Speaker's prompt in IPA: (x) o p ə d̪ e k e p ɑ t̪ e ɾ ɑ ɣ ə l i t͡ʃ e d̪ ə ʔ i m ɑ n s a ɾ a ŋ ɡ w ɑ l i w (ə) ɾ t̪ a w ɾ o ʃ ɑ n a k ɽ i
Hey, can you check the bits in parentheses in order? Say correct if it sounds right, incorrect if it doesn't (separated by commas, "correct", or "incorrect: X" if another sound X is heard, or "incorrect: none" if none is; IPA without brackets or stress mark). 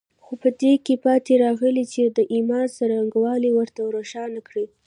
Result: correct, correct